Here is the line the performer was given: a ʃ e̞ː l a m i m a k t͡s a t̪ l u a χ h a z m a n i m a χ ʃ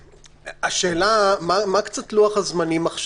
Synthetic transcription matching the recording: a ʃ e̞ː l a m a m a k t͡s a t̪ l u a χ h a z m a n i m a χ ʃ